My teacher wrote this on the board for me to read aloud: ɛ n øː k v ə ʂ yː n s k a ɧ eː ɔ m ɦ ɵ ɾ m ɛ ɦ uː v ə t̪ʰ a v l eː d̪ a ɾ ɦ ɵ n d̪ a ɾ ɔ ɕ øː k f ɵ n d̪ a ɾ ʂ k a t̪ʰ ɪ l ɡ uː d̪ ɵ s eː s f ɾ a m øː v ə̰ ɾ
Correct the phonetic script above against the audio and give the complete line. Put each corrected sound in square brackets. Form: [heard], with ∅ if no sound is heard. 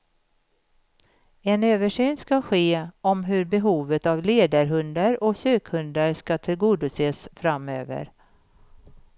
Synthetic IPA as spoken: ɛ n øː [∅] v ə ʂ yː n s k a ɧ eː ɔ m ɦ ɵ ɾ [b] ɛ ɦ uː v ə [t̪] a v l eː d̪ a ɾ ɦ ɵ n d̪ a ɾ ɔ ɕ øː k [h] ɵ n d̪ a ɾ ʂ k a t̪ʰ ɪ l ɡ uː d̪ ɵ s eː s f ɾ a m øː v ə̰ ɾ

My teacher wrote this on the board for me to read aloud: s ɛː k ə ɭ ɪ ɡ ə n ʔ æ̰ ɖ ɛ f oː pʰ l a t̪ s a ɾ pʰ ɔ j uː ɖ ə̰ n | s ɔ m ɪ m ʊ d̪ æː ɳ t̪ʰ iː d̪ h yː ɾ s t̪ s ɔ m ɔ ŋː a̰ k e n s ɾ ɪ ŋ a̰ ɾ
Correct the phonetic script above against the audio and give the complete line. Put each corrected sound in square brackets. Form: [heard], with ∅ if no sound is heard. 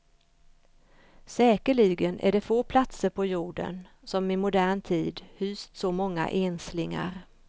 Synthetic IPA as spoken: s ɛː k ə ɭ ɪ ɡ ə n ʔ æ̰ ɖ ɛ f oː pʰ l a t̪ s [ə] ɾ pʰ ɔ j uː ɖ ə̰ n | s ɔ m ɪ m ʊ d̪ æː ɳ t̪ʰ iː d̪ h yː [∅] s t̪ s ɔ m ɔ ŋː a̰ [ʔ] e n s [l] ɪ ŋ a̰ ɾ

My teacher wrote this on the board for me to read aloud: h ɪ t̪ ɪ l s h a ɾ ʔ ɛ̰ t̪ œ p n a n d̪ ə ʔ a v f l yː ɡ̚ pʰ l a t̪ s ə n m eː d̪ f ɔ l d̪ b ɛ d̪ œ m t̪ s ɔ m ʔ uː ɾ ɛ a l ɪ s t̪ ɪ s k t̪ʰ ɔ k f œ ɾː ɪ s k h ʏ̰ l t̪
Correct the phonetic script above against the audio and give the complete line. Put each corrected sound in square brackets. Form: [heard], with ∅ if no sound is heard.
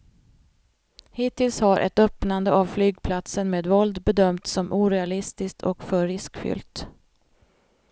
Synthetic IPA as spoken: h ɪ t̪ ɪ l s h a ɾ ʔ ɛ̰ t̪ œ p n a n d̪ ə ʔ a v f l yː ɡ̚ pʰ l a t̪ s ə n m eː d̪ [v] ɔ l d̪ b ɛ d̪ œ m t̪ s ɔ m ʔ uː ɾ ɛ a l ɪ s t̪ ɪ s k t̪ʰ ɔ k f œ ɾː ɪ s k [f] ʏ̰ l t̪

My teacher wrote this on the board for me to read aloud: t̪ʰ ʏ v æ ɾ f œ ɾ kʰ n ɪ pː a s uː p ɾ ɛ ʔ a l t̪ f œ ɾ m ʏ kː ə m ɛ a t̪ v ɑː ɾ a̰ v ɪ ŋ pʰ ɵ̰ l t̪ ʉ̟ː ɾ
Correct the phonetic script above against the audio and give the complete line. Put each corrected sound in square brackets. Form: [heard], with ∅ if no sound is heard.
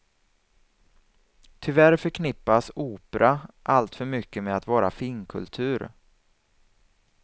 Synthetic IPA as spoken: t̪ʰ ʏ v æ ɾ f œ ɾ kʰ n ɪ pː a s uː p ɾ [a] ʔ a l t̪ f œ ɾ m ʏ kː ə m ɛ a t̪ v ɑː ɾ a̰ [f] ɪ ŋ [kʰ] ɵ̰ l [t̪ʰ] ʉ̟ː ɾ

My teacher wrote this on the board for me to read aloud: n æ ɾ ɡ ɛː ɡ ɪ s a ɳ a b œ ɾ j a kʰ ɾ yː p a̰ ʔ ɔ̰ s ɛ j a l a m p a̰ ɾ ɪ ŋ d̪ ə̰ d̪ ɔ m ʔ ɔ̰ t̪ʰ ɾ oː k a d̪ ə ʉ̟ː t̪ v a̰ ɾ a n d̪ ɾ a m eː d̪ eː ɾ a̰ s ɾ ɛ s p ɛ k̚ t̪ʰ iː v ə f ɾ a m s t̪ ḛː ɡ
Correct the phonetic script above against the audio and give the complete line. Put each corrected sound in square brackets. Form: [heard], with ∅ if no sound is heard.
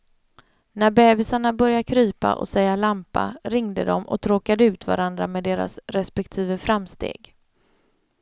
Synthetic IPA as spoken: n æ ɾ [b] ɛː [b] ɪ s a ɳ a b œ ɾ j a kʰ ɾ yː p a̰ ʔ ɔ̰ s ɛ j a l a m p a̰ ɾ ɪ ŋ d̪ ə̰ d̪ ɔ m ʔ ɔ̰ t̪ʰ ɾ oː k a d̪ ə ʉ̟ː t̪ v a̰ ɾ a n d̪ ɾ a m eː d̪ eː ɾ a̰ s ɾ ɛ s p ɛ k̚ t̪ʰ iː v ə f ɾ a m s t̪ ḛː ɡ

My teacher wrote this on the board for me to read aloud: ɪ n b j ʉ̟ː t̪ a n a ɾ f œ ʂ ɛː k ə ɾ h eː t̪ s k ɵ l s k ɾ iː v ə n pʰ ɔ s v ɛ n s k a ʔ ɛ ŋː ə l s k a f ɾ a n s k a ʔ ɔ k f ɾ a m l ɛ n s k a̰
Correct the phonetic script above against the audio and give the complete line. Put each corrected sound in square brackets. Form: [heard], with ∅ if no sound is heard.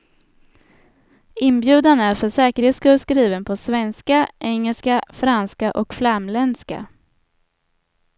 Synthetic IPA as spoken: ɪ n b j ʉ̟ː [d̪] a n [æ] ɾ f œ ʂ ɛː k ə ɾ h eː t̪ s k ɵ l s k ɾ iː v ə n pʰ ɔ s v ɛ n s k a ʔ ɛ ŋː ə l s k a f ɾ a n s k a ʔ ɔ k f [l] a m l ɛ n s k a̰

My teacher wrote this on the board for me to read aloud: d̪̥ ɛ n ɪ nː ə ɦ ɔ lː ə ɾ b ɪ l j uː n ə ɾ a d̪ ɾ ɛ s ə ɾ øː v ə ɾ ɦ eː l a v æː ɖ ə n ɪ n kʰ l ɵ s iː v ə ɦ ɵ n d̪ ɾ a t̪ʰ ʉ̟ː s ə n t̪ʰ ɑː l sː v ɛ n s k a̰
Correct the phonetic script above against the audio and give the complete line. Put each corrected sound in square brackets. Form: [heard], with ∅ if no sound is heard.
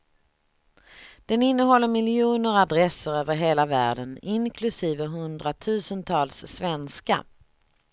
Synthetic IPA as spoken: d̪̥ ɛ n ɪ nː ə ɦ ɔ lː ə ɾ [m] ɪ l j uː n ə ɾ a d̪ ɾ ɛ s ə ɾ øː v ə ɾ ɦ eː l a v æː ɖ ə n ɪ n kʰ l ɵ s iː v ə ɦ ɵ n d̪ ɾ a t̪ʰ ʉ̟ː s ə n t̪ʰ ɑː l sː v ɛ n s k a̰

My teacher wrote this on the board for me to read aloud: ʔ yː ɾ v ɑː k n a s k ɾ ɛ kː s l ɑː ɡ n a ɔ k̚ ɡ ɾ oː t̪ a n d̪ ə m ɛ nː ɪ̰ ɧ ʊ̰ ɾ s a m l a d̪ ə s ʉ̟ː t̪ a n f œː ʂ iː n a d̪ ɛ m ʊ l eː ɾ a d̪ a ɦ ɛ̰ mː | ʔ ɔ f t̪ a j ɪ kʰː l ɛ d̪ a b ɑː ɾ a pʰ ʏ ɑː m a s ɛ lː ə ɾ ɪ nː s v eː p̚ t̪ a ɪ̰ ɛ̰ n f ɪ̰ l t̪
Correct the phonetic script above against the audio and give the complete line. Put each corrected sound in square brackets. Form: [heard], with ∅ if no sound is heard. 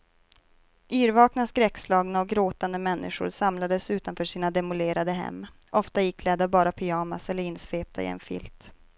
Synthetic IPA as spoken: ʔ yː ɾ v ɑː k n a s k ɾ ɛ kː s l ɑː ɡ n a ɔ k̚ ɡ ɾ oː t̪ a n d̪ ə m ɛ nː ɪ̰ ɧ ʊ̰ ɾ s a m l a d̪ ə s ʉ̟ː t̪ a n f œː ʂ iː n a d̪ ɛ m ʊ l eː ɾ a d̪ [ə] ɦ ɛ̰ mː | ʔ ɔ f t̪ a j ɪ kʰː l ɛ d̪ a b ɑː ɾ a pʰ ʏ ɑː m a s ɛ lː ə ɾ ɪ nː s v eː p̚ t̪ a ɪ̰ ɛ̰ n f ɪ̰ l t̪

